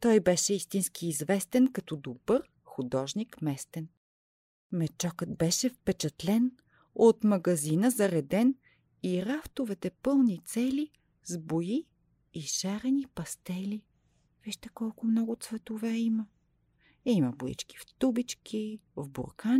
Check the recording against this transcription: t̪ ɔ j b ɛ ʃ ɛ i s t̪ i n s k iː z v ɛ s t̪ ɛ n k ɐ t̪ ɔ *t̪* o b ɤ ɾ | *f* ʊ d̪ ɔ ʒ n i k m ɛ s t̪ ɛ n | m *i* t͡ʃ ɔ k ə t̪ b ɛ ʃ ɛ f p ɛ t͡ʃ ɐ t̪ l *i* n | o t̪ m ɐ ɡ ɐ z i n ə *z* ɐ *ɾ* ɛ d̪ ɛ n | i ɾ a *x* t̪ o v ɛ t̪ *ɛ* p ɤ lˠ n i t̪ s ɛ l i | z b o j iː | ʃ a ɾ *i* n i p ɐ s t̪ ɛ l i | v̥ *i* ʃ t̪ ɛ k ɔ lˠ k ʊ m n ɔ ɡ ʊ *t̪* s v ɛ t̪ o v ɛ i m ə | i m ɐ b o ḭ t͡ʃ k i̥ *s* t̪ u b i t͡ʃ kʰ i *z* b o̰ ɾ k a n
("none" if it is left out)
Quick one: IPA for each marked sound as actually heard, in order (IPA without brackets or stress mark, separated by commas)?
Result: d̪, x, ɛ, ɛ, z, ɾ, f, ɛ, ɛ, i, t̪, f, v